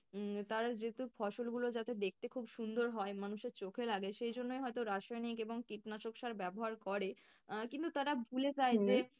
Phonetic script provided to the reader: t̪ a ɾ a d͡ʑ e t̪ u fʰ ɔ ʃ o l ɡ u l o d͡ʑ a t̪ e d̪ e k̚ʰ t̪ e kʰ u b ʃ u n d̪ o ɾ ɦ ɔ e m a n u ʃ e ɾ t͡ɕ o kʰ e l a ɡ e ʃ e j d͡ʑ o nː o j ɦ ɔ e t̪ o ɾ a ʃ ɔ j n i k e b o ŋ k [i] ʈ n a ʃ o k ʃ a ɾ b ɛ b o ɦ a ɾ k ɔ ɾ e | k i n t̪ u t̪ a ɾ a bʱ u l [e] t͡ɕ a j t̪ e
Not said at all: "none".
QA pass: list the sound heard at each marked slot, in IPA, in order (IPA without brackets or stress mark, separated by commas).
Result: i, e